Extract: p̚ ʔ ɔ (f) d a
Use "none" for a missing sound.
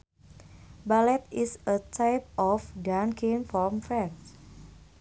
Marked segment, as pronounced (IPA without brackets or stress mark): f